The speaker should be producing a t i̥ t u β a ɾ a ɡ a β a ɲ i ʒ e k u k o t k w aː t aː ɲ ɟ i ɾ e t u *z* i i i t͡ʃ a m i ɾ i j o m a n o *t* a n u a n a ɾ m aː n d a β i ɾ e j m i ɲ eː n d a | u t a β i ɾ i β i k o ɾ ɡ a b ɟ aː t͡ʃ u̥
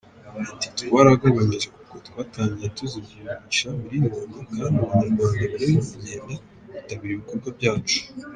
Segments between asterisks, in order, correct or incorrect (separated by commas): correct, incorrect